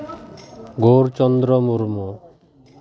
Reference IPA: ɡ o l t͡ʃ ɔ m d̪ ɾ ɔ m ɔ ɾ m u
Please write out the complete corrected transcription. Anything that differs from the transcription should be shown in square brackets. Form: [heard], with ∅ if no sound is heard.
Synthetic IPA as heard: ɡ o [ɾ] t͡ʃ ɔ [n] d̪ ɾ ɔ m [u] ɾ m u